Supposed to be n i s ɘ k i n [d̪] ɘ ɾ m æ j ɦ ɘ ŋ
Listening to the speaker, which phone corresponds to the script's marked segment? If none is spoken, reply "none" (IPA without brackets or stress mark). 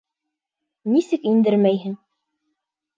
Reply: d̪